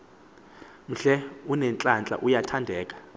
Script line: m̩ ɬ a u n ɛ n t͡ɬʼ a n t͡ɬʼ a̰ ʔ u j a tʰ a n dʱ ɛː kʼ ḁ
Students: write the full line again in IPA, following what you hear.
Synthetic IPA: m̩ ɬ ɛ u n ɛ n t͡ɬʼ a n t͡ɬʼ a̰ ʔ u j a tʰ a n dʱ ɛː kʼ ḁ